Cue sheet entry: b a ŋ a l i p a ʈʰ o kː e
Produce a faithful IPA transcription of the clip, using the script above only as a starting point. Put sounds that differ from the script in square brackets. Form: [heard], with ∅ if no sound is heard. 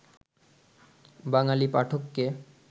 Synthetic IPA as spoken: b a ŋ a l i p a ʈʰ o kː e